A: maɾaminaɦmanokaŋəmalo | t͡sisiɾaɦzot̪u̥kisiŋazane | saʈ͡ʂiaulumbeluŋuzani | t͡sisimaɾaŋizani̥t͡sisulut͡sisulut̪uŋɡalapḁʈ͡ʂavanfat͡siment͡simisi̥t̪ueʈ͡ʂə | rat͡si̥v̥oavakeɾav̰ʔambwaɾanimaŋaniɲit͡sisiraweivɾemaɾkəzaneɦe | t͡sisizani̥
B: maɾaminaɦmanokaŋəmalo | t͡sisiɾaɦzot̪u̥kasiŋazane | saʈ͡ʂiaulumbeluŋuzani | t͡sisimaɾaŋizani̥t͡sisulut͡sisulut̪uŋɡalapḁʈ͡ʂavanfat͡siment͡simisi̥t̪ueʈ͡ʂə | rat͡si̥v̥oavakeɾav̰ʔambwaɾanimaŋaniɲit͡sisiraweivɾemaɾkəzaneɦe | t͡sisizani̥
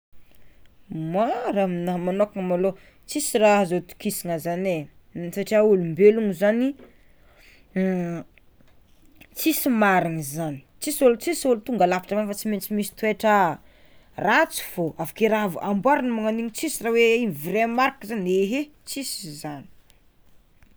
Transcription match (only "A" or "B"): A